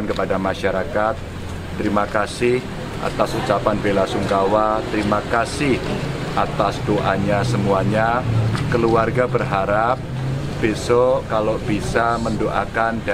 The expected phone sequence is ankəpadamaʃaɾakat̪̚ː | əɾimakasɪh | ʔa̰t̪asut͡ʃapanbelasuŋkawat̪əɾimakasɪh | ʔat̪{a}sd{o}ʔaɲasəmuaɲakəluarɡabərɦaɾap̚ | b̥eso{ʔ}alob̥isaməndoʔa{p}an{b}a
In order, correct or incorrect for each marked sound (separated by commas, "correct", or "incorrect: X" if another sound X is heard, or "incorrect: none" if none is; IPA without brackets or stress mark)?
correct, correct, incorrect: k, incorrect: k, incorrect: d